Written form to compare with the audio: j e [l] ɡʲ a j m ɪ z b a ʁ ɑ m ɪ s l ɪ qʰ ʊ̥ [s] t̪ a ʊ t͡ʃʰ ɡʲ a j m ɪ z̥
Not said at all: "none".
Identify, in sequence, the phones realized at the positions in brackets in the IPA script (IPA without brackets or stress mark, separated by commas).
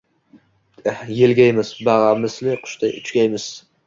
l, ʃ